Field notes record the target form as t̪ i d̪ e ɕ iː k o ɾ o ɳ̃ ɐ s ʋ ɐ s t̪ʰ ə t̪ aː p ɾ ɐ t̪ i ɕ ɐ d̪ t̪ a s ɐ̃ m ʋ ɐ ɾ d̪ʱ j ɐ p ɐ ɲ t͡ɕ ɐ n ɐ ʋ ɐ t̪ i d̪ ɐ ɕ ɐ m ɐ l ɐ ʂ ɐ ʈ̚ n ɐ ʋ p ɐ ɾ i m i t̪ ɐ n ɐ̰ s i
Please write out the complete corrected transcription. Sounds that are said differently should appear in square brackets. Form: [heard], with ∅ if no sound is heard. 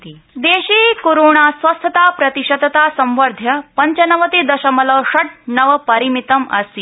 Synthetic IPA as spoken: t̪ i d̪ e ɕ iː k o ɾ o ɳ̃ [a] s ʋ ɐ s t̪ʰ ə t̪ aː p ɾ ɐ t̪ i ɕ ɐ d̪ t̪ a s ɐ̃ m ʋ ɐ ɾ d̪ʱ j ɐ p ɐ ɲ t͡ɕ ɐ n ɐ ʋ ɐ t̪ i d̪ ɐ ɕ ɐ m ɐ l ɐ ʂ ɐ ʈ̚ n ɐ ʋ p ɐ ɾ i m i t̪ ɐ [m] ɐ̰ s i